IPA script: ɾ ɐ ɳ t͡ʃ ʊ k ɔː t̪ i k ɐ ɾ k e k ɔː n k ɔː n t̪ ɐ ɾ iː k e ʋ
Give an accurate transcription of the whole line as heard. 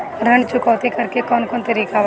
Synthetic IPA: ɾ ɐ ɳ t͡ʃ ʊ k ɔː t̪ i k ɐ ɾ k e k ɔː n k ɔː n t̪ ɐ ɾ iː k a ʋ

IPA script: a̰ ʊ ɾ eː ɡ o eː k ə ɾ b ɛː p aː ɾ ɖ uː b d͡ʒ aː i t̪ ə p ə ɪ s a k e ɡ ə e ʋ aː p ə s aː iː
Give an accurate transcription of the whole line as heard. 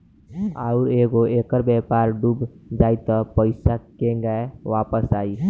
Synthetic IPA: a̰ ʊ ɾ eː ɡ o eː k ə ɾ b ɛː p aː ɾ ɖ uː b d͡ʒ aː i t̪ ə p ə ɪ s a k e ɡ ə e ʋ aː p ə s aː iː

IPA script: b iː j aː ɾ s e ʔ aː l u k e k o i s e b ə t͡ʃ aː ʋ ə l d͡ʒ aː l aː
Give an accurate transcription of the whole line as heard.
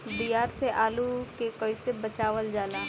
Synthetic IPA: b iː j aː ɾ s e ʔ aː l u k e k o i s e b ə t͡ʃ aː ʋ ə l d͡ʒ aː l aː

